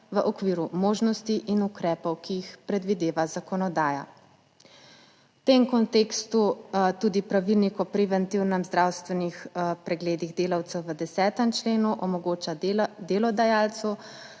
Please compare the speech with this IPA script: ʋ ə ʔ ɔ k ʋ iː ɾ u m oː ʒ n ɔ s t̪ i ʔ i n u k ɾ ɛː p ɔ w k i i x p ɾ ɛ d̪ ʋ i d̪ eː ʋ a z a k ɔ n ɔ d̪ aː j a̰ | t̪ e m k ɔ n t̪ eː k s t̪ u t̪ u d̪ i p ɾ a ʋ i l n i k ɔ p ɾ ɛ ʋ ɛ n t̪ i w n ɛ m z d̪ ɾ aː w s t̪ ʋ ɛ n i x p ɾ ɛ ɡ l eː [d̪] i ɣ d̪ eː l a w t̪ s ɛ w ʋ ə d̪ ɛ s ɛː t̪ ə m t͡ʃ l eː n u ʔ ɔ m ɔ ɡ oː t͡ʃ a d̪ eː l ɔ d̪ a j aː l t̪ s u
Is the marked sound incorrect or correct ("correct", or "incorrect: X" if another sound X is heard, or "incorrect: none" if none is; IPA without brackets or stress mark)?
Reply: correct